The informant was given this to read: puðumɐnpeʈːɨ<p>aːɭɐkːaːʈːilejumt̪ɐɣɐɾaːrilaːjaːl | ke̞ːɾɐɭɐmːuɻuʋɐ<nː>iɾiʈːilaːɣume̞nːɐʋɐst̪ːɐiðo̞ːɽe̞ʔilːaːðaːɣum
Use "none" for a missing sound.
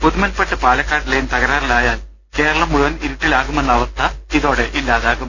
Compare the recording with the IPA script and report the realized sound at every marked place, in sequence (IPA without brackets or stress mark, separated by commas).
p, n